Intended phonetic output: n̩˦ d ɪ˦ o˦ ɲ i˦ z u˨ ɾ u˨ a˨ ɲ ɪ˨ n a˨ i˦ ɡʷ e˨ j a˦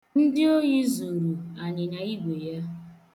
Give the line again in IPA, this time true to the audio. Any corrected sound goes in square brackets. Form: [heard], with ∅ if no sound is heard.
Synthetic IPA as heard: n̩˦ d ɪ˦ o˦ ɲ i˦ z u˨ ɾ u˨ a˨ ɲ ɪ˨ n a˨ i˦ ɡʷ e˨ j a˦